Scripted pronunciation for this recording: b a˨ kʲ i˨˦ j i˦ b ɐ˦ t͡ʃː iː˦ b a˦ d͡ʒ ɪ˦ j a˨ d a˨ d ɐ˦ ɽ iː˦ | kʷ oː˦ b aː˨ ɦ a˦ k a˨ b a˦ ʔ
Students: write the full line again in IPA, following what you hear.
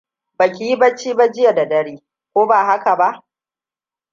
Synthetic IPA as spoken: b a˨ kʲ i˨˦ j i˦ b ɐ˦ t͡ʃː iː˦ b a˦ d͡ʒ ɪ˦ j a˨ d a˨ d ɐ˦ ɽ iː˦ | kʷ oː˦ b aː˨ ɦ a˦ k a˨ b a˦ ʔ